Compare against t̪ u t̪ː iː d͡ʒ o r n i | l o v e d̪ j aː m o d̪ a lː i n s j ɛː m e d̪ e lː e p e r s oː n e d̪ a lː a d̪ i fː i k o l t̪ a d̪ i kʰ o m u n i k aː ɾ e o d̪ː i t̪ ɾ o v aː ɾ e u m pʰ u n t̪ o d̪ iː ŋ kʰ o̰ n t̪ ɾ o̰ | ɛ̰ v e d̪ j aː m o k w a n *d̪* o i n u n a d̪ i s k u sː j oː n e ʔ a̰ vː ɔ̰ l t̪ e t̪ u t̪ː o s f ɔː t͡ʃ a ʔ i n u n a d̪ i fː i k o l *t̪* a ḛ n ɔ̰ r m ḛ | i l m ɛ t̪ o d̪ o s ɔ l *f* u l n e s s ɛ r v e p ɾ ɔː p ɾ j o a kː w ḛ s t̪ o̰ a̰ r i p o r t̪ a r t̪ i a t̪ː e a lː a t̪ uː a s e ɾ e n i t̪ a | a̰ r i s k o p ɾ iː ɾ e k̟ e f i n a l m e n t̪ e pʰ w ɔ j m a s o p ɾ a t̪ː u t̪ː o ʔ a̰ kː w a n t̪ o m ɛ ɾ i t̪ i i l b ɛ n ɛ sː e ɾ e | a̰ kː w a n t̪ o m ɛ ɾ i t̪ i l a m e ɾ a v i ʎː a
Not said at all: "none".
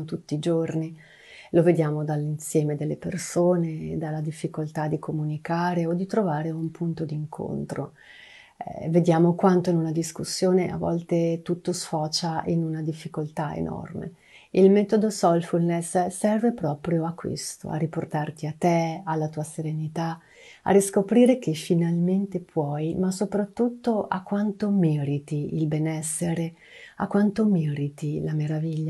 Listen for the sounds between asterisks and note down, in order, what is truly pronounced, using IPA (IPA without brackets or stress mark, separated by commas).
t̪, t̪, f